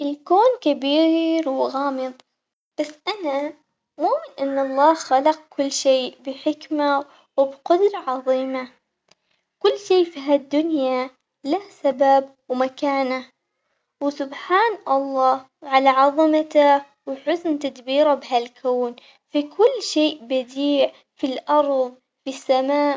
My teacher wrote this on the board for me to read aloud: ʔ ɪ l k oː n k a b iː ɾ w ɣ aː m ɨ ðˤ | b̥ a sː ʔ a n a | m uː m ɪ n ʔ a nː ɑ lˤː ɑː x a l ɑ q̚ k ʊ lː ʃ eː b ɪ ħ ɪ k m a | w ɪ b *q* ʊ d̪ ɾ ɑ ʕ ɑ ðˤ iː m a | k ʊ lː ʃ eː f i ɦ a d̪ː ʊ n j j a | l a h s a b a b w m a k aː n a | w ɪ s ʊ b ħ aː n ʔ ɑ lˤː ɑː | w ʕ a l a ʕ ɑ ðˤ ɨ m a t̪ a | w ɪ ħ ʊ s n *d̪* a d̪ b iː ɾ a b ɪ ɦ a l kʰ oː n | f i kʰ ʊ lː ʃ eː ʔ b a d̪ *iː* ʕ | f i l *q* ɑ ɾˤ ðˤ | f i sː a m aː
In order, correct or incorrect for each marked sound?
correct, incorrect, correct, incorrect

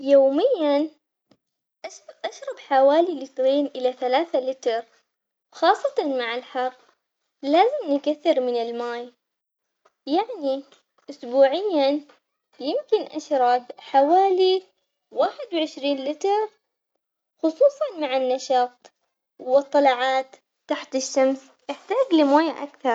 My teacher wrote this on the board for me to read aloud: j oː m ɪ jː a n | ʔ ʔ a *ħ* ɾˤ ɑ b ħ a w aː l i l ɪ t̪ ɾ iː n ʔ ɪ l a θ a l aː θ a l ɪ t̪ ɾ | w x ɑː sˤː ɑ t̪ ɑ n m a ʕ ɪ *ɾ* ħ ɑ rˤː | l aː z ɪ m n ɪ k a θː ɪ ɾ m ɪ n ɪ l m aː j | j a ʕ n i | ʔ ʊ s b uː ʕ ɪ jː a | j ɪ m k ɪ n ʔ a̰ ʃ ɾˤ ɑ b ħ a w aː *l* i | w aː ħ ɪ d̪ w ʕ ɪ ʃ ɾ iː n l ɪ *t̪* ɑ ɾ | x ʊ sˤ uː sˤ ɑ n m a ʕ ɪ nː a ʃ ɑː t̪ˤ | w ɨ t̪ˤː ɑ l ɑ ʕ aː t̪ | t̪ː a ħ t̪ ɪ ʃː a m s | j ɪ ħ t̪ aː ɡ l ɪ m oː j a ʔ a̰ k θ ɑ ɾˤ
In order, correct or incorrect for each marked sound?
incorrect, incorrect, correct, correct

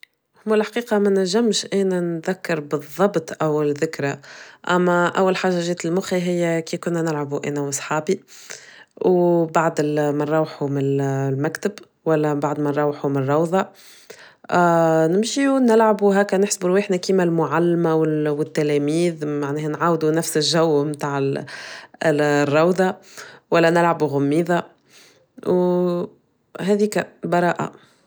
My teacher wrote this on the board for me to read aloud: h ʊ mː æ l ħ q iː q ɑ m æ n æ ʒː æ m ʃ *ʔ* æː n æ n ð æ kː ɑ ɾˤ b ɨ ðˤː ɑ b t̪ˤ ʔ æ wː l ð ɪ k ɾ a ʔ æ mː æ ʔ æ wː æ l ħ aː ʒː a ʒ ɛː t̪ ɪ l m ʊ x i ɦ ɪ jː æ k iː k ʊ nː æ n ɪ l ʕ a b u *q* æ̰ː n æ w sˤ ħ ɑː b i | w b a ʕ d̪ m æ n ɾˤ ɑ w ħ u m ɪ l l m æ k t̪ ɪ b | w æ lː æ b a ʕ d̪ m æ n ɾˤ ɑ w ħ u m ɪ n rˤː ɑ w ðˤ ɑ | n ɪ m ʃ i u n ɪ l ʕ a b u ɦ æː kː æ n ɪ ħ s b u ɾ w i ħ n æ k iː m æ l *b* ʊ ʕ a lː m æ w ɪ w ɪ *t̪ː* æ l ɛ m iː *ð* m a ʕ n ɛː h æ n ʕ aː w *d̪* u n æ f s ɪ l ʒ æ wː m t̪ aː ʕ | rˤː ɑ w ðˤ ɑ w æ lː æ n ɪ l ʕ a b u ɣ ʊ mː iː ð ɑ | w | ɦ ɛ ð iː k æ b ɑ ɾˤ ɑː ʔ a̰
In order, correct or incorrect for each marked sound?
correct, incorrect, incorrect, correct, correct, correct

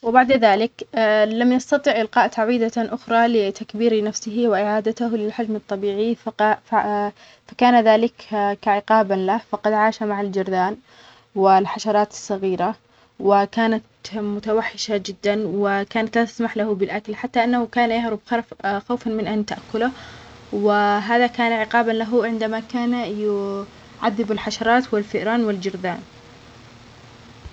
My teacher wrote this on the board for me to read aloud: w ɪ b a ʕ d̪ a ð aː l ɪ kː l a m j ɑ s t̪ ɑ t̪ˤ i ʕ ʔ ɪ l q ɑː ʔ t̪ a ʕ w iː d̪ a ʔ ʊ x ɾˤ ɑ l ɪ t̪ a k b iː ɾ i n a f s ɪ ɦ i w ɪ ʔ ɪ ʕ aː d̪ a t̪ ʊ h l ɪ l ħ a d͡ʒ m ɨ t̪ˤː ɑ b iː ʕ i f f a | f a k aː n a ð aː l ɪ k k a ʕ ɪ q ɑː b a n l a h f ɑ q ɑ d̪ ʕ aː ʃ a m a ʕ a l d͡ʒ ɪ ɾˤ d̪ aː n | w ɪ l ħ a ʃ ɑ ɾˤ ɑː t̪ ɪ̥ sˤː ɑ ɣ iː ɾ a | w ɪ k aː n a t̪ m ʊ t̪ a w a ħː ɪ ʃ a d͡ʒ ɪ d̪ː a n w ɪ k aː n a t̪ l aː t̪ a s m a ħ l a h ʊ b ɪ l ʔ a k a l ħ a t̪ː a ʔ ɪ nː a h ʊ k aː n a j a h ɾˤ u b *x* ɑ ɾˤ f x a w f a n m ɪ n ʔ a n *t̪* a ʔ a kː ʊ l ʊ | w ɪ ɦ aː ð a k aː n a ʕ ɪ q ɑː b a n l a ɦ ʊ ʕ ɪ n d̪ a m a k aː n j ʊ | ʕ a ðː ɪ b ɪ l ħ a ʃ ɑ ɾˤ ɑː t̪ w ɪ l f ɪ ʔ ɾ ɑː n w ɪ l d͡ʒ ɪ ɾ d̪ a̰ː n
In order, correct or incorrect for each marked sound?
correct, correct

